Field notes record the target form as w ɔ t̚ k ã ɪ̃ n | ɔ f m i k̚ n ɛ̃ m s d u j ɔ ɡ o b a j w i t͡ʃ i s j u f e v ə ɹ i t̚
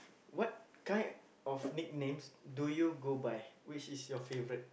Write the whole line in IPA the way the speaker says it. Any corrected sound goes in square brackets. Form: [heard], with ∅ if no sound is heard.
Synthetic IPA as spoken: w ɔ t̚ k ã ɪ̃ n | ɔ f [n] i k̚ n [ẽ] m s d u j [u] ɡ o b a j w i t͡ʃ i s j [ɔ] f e v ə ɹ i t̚